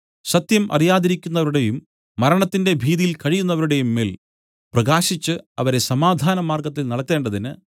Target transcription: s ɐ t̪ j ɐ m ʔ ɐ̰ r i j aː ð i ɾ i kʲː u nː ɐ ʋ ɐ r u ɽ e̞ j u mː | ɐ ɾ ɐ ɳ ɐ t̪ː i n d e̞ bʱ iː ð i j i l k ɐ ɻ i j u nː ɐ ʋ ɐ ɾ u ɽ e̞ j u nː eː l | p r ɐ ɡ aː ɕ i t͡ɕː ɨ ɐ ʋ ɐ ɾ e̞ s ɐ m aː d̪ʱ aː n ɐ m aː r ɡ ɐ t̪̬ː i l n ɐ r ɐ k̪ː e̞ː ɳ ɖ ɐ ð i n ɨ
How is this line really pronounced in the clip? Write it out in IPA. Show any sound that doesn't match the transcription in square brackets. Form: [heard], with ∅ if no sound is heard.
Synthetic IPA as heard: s ɐ t̪ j ɐ m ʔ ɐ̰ r i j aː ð i ɾ i kʲː u nː ɐ ʋ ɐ [ɾ] u ɽ e̞ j u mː | ɐ ɾ ɐ ɳ ɐ t̪ː i n d e̞ bʱ iː ð i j i l k ɐ ɻ i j u nː ɐ ʋ ɐ ɾ u ɽ e̞ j u [mː] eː l | p r ɐ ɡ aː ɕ i t͡ɕː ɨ ɐ ʋ ɐ ɾ e̞ s ɐ m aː d̪ʱ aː n ɐ m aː r ɡ ɐ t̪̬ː i l n ɐ [ɽ] ɐ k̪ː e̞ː ɳ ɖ ɐ ð i n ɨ